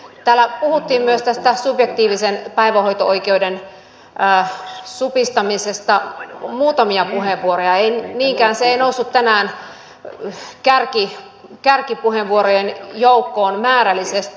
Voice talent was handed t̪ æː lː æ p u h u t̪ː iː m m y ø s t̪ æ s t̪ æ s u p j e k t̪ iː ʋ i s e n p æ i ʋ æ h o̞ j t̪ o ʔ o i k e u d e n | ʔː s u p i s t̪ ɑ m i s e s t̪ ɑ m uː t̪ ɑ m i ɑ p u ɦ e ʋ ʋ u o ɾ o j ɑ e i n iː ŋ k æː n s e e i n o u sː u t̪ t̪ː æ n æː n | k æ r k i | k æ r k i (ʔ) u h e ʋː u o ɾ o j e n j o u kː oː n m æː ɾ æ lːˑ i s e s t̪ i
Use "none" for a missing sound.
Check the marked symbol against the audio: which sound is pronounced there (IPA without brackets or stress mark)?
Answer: p